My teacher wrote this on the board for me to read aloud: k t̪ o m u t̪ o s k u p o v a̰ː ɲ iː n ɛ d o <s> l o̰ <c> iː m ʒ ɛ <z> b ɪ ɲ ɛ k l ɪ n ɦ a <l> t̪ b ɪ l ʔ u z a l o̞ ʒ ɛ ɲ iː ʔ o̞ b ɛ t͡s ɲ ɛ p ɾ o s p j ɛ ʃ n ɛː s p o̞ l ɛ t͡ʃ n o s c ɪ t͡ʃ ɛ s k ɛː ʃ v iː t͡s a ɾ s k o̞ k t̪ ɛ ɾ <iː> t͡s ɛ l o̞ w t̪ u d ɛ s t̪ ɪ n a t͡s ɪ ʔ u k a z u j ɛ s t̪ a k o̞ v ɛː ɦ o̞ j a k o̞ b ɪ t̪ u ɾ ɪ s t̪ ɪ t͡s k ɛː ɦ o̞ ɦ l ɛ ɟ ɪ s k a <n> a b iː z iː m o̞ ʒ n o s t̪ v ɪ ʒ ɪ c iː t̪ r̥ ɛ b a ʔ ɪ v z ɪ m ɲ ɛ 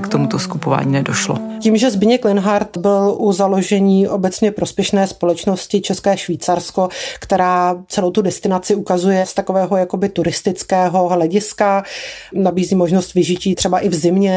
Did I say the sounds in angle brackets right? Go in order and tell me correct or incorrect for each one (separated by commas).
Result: incorrect, correct, correct, incorrect, incorrect, correct